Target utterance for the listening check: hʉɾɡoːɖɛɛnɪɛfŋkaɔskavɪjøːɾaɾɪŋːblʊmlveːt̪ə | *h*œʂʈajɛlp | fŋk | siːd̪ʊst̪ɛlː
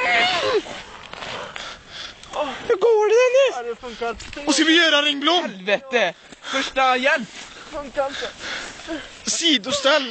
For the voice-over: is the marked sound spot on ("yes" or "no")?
no